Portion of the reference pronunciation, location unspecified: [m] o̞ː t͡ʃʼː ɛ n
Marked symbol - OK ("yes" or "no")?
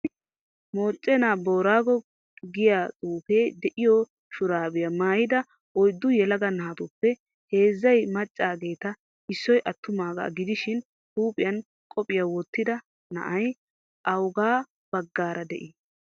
yes